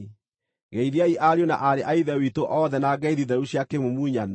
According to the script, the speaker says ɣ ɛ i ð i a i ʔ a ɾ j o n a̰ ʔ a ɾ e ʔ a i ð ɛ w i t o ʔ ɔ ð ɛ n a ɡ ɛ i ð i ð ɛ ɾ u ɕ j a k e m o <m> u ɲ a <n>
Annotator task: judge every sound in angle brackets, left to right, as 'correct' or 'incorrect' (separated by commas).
correct, correct